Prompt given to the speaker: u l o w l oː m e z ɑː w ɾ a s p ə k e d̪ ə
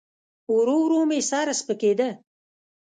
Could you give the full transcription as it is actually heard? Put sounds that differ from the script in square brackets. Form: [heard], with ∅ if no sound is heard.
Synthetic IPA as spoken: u [ɾ] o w [ɾ] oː m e [s] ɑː [∅] ɾ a s p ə k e d̪ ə